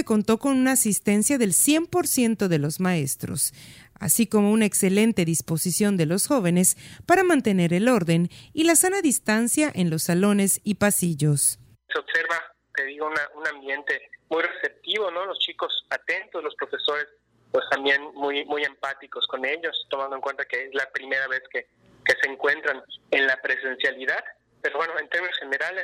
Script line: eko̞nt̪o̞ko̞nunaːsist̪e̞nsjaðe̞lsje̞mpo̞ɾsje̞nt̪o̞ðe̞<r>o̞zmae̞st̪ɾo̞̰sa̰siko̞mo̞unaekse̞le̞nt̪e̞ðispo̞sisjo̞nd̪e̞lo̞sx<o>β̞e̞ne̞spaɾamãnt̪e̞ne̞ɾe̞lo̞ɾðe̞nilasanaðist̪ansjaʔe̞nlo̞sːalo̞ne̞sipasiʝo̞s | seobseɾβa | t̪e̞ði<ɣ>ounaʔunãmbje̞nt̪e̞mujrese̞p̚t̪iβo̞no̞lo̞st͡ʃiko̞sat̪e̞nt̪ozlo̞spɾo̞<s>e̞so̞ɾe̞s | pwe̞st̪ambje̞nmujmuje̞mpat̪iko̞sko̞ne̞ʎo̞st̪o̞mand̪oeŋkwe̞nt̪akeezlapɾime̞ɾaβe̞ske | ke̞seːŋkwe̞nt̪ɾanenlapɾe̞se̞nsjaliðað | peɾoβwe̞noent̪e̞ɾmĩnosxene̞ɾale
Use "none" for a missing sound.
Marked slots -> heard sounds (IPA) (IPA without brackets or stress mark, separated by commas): l, o, ɣ, f